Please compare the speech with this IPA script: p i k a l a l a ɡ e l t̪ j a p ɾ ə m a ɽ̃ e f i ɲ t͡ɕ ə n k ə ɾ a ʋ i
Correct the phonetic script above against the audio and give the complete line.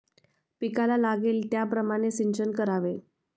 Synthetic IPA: p i k a l a l a ɡ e l t̪ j a p ɾ ə m a ɽ̃ e s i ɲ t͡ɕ ə n k ə ɾ a ʋ e

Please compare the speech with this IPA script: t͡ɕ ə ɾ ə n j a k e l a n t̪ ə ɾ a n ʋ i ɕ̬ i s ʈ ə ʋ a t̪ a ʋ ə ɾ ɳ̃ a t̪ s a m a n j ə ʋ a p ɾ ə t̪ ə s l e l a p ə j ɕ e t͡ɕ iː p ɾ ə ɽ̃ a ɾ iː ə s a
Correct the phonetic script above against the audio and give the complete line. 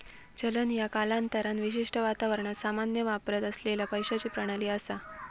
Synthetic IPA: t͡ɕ ə l ə n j a k a l a n t̪ ə ɾ a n ʋ i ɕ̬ i ʂ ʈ ə ʋ a t̪ a ʋ ə ɾ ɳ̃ a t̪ s a m a n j ə ʋ a p ɾ ə t̪ ə s l e l a p ə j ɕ a t͡ɕ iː p ɾ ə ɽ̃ a l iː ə s a

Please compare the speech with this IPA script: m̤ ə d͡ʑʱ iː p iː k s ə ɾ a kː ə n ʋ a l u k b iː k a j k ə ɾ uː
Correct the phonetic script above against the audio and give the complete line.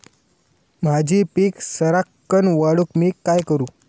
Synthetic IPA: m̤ a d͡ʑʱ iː p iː k s ə ɾ a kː ə n ʋ a ɽ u k m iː k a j k ə ɾ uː

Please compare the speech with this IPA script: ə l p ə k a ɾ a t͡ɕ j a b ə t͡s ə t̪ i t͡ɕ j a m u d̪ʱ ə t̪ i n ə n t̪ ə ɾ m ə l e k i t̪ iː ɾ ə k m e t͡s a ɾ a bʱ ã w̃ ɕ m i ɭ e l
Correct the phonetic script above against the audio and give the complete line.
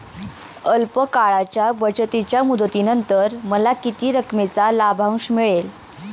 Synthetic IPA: ə l p ə k a ɭ a t͡ɕ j a b ə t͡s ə t̪ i t͡ɕ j a m u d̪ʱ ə t̪ i n ə n t̪ ə ɾ m ə l a k i t̪ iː ɾ ə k m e t͡s a l a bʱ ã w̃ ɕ m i ɭ e l

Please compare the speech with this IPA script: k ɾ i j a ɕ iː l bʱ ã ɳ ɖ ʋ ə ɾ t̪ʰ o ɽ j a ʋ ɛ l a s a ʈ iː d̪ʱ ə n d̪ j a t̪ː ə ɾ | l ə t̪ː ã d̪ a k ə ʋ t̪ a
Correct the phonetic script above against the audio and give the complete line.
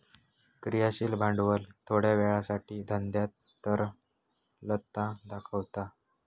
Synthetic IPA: k ɾ i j a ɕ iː l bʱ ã ɳ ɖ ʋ ə l t̪ʰ o ɽ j a ʋ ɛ ɭ a s a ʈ iː d̪ʱ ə n d̪ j a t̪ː ə ɾ | l ə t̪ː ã d̪ a kʰ ə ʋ t̪ a

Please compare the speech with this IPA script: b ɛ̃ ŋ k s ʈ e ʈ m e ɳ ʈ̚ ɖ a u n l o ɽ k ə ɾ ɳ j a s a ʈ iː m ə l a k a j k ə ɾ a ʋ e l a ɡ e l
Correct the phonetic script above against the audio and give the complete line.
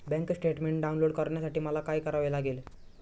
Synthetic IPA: b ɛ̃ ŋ k s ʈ e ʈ m e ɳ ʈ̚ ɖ a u n l o ɽ k ə ɾ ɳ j a s a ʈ iː m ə l a k a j k ə ɾ a ʋ e l a ɡ e l

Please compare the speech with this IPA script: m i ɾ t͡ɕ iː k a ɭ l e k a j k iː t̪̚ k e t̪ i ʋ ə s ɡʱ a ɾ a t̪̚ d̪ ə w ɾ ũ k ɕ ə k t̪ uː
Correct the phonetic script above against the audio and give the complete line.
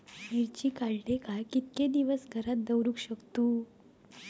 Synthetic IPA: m i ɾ t͡ɕ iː k a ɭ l e k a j k i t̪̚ k e d̪ i ʋ ə s ɡʱ ə ɾ a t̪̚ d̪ ə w ɾ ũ k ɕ ə k t̪ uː

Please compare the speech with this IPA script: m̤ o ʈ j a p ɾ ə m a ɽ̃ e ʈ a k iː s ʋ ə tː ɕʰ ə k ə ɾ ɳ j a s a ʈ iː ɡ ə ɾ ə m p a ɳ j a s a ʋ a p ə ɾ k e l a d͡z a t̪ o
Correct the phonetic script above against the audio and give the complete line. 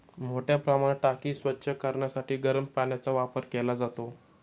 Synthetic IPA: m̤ o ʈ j a p ɾ ə m a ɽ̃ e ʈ a k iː s ʋ ə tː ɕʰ ə k ə ɾ ɳ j a s a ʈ iː ɡ ə ɾ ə m p a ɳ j a t͡s a ʋ a p ə ɾ k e l a d͡z a t̪ o

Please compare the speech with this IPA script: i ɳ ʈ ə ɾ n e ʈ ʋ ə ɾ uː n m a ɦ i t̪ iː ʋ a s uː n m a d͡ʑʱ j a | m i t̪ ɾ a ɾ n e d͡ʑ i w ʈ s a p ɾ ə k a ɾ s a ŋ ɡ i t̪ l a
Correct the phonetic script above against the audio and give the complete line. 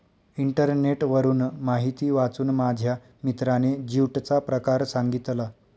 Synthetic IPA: i ɳ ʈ ə ɾ n e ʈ ʋ ə ɾ uː n m a ɦ i t̪ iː ʋ a t͡s uː n m a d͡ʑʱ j a | m i t̪ ɾ a n e d͡ʑ i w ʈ t͡s a p ɾ ə k a ɾ s a ŋ ɡ i t̪ l a

